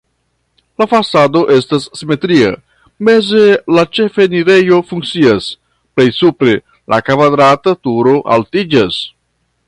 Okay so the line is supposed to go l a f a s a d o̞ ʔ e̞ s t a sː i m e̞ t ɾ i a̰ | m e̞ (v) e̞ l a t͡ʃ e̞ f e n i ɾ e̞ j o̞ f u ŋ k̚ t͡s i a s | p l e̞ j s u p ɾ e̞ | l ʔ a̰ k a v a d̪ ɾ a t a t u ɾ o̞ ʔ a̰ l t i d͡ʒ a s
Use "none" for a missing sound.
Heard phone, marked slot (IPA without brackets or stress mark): z